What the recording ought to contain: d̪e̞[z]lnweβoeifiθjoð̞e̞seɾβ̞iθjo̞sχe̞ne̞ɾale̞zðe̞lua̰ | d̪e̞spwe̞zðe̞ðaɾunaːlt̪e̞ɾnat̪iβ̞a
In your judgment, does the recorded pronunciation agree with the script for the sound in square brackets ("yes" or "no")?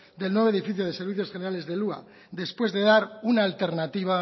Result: no